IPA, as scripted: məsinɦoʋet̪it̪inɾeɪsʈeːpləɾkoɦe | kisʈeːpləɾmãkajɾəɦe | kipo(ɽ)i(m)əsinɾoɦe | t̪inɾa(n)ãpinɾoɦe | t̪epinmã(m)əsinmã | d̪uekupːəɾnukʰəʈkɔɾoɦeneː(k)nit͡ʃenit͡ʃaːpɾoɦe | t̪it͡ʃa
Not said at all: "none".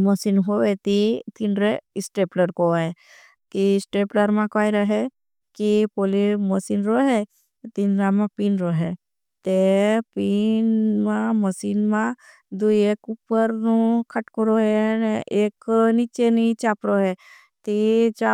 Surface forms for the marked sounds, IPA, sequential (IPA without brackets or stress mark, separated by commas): l, m, m, m, k